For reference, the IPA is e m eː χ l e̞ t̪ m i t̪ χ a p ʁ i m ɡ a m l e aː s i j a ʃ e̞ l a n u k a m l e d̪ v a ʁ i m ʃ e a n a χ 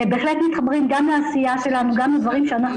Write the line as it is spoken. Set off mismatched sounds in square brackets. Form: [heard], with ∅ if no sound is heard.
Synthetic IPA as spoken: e [b] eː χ l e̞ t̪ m i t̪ χ a [b] ʁ i m ɡ a m l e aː s i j a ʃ e̞ l a n u [ɡ] a m l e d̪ v a ʁ i m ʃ e a n a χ